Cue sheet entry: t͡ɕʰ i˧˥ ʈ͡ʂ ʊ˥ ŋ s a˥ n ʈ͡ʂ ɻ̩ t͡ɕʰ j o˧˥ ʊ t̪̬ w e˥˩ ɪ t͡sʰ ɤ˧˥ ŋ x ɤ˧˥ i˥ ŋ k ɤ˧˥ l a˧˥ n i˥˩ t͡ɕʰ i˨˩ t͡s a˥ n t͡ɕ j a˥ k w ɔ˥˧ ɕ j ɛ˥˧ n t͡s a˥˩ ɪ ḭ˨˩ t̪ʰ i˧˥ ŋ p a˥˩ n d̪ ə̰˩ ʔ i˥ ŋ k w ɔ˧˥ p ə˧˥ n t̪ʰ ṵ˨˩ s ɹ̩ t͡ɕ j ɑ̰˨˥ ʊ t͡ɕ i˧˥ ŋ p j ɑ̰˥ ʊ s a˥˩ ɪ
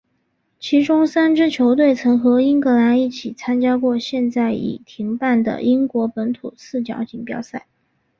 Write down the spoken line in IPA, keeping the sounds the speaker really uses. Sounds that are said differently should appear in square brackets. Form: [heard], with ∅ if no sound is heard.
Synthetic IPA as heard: t͡ɕʰ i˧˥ ʈ͡ʂ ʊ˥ ŋ s a˥ n ʈ͡ʂ ɻ̩ t͡ɕʰ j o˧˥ ʊ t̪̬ w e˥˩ ɪ t͡sʰ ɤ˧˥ ŋ x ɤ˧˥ i˥ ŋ k ɤ˧˥ l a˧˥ n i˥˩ t͡ɕʰ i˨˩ [t͡sʰ] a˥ n t͡ɕ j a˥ k w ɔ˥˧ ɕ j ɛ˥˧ n t͡s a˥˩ ɪ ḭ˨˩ t̪ʰ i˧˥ ŋ p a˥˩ n d̪ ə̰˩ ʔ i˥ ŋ k w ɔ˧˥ p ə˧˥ n t̪ʰ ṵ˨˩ s ɹ̩ t͡ɕ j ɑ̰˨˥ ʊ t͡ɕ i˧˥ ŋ p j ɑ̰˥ ʊ s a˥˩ ɪ